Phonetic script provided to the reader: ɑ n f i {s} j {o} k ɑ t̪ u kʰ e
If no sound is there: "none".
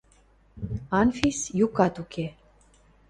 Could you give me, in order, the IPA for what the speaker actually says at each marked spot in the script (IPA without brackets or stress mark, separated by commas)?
s, u